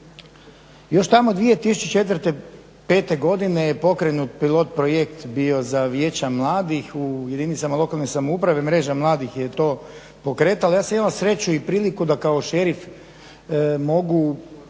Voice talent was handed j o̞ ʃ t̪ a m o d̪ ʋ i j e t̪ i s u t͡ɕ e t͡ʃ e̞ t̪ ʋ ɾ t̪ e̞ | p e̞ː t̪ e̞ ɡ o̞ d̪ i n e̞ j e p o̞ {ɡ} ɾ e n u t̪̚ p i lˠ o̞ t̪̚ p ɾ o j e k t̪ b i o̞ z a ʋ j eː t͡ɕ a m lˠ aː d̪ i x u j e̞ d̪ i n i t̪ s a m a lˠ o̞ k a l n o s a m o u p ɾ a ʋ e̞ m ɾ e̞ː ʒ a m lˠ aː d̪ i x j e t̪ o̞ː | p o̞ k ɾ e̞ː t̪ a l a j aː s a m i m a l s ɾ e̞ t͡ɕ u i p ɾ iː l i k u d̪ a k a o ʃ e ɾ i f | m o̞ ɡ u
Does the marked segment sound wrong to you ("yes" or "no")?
yes